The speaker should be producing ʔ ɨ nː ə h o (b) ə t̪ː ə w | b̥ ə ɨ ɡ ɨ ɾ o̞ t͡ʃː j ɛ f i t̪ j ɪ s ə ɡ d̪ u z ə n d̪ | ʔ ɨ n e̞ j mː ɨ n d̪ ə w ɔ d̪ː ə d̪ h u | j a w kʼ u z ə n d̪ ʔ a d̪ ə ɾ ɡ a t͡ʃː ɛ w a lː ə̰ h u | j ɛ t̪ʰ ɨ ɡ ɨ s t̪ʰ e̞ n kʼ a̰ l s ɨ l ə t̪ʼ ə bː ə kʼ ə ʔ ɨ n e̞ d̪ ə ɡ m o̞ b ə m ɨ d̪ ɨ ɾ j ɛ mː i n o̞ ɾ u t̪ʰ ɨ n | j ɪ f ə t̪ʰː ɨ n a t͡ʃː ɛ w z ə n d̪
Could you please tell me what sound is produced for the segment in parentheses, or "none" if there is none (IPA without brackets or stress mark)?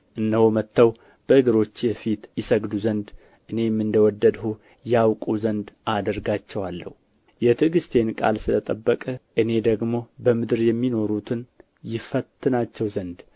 m